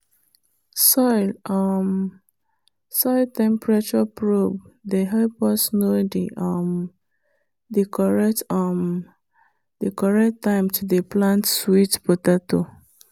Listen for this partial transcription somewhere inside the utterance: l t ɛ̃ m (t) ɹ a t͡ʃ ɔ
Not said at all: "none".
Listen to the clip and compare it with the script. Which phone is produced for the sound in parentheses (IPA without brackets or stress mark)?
p